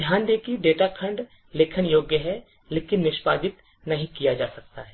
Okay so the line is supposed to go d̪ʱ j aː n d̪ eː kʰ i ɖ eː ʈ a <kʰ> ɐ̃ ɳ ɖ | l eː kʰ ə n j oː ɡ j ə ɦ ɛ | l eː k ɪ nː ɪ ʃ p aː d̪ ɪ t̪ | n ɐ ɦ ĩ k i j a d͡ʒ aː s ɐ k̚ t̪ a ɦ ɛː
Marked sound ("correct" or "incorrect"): correct